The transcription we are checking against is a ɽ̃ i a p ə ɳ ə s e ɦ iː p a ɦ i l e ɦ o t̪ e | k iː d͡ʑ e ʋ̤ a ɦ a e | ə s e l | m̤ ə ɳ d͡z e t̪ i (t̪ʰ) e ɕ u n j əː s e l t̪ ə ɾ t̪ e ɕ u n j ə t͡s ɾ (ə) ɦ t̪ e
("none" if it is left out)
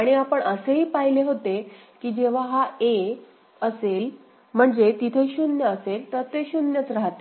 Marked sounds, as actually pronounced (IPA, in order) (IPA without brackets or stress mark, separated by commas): t̪ʰ, a